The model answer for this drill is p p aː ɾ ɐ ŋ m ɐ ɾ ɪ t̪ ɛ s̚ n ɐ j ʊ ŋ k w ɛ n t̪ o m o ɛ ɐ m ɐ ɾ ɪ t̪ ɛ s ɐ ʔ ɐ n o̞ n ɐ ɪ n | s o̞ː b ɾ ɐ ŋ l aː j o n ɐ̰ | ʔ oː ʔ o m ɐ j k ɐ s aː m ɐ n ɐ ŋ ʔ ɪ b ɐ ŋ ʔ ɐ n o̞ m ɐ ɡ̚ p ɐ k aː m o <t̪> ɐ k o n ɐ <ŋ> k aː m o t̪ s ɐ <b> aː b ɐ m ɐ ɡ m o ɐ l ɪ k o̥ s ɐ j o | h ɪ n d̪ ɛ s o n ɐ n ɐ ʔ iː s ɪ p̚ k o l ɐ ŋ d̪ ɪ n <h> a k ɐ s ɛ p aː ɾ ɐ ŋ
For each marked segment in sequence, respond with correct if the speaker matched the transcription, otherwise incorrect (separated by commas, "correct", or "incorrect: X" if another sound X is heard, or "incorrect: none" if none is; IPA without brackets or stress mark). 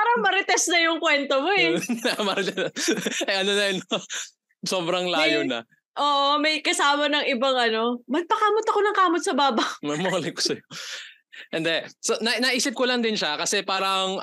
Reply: correct, correct, correct, incorrect: ʃ